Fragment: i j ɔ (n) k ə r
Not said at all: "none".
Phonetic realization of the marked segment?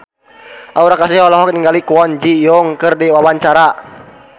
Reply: ŋ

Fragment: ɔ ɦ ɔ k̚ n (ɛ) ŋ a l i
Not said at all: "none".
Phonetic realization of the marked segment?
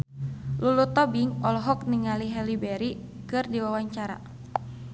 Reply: i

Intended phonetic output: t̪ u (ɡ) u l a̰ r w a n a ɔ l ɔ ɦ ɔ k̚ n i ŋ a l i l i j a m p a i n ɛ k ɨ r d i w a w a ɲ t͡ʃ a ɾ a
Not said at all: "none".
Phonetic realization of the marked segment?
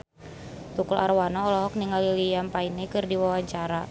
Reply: k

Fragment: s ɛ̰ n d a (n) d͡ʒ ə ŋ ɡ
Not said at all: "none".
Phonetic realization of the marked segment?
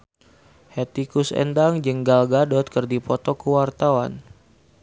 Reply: ŋ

